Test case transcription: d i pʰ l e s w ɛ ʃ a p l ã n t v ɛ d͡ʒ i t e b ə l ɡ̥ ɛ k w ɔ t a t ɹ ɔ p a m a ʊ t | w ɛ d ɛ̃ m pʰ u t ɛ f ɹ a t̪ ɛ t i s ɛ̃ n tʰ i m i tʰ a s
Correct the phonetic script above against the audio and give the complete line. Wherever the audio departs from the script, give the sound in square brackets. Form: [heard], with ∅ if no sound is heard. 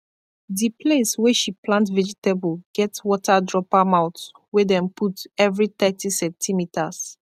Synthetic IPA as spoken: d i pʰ l e s w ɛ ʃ [i] p l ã n t v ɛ d͡ʒ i t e b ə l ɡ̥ ɛ [t] w ɔ t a [d] ɹ ɔ p a m a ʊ t | w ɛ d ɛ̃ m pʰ u t ɛ [v] ɹ [i] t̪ ɛ t i s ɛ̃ n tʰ i m i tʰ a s